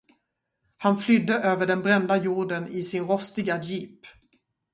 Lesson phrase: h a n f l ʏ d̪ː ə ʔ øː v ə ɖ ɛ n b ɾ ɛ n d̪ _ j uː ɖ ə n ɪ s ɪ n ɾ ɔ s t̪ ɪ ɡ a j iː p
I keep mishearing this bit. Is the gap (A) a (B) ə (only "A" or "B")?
A